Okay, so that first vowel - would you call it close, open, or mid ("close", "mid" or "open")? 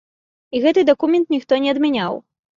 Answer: close